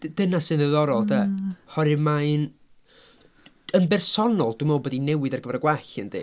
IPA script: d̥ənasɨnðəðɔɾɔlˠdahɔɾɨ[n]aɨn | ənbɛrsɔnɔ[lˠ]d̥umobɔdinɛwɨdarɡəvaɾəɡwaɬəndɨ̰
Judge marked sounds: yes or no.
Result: no, yes

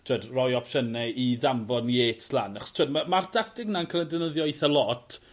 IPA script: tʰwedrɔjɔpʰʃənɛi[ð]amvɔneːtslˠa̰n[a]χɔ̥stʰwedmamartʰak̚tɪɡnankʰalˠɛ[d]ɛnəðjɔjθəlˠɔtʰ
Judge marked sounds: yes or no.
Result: yes, yes, yes

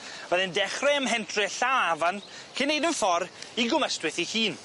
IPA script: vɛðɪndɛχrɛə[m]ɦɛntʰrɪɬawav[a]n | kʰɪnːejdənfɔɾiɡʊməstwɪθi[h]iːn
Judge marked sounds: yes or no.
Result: yes, yes, yes

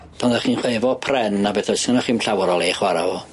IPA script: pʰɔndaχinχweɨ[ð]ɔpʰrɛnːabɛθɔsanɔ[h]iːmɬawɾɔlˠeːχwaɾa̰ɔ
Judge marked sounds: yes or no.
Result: no, no

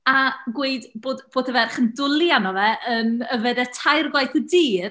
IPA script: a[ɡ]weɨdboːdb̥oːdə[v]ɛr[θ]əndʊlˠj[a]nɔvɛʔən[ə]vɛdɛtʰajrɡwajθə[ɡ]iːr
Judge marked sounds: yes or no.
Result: yes, yes, no, yes, yes, no

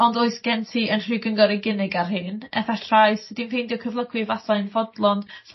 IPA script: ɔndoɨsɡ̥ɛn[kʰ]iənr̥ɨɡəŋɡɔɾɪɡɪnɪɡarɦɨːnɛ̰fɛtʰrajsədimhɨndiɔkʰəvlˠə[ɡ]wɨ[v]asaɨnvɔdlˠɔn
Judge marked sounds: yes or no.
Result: no, yes, yes

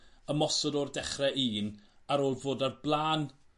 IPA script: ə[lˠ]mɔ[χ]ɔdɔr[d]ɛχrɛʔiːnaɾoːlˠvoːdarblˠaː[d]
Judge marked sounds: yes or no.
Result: no, no, yes, no

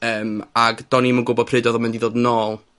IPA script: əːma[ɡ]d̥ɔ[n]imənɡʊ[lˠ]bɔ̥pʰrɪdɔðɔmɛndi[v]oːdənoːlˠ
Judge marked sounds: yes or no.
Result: yes, yes, no, no

